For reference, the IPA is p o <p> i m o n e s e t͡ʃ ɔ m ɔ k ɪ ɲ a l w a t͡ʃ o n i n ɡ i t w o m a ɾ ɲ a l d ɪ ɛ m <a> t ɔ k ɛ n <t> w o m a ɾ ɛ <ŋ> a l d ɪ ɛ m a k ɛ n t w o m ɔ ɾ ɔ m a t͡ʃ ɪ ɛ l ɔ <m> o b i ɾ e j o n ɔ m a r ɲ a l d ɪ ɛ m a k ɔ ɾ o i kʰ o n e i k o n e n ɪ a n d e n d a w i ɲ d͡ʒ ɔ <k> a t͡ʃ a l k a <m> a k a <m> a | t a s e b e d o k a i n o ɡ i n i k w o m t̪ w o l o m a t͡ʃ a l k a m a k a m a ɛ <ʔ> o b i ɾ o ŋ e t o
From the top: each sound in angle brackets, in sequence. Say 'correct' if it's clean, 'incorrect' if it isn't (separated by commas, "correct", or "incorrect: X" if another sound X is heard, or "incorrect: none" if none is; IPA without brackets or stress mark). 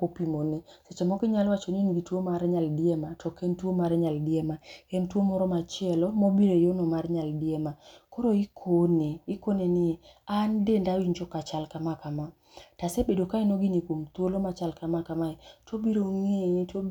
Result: correct, correct, correct, incorrect: ɲ, correct, correct, correct, correct, incorrect: t